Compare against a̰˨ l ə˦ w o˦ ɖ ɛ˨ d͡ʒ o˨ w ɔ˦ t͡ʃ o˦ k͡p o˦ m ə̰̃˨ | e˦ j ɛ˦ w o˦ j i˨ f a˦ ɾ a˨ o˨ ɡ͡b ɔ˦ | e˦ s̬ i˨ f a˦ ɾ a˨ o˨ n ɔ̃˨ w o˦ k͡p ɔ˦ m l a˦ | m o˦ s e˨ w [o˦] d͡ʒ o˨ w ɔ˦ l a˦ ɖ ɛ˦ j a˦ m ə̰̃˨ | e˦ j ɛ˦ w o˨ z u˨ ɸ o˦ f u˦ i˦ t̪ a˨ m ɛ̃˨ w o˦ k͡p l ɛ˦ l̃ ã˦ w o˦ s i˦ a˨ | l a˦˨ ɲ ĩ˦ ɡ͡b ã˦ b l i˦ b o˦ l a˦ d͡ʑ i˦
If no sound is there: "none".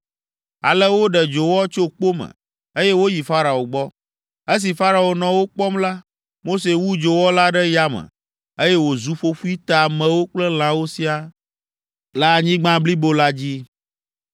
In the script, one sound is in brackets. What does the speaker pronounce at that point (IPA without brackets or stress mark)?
u˦